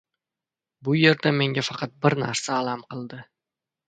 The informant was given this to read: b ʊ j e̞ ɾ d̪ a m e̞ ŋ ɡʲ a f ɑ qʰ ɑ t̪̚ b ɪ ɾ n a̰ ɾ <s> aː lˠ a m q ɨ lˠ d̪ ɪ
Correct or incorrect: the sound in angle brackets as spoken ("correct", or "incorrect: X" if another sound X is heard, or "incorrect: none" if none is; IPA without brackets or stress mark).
correct